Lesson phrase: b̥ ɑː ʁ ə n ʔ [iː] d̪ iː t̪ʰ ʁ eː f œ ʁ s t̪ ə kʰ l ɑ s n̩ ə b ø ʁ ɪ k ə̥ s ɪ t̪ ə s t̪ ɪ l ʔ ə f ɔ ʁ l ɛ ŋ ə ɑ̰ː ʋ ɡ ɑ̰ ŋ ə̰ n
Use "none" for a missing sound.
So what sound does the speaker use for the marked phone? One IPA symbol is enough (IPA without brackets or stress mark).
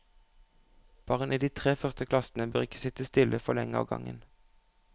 iː